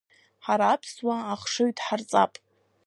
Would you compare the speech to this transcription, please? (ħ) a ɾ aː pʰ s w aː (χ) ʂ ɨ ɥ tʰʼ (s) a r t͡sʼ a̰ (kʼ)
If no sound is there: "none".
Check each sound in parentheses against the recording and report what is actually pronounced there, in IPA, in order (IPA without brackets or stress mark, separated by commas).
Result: ħ, χ, ħ, pʼ